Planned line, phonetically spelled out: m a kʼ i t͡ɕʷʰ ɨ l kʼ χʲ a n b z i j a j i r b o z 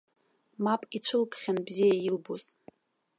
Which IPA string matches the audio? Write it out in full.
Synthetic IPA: m a pʼ i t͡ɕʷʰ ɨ l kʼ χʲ a n b z i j a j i l b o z